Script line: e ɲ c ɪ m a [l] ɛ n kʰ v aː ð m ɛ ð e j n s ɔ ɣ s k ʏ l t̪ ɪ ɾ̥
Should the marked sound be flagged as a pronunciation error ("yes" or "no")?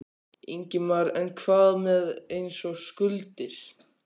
yes